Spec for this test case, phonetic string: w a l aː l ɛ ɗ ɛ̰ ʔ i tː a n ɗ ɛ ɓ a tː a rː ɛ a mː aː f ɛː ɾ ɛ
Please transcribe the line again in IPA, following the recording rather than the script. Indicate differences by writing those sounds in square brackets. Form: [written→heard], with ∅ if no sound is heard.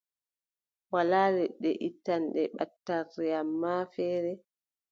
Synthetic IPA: w a l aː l ɛ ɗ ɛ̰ ʔ i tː a n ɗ ɛ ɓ a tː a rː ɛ a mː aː f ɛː ɾ ɛ